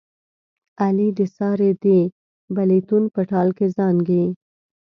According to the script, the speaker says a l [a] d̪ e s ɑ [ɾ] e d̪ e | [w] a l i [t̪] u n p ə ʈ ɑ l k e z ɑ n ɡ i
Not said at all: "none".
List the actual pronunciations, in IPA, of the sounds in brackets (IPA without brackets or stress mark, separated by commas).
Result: i, ɾ, b, t̪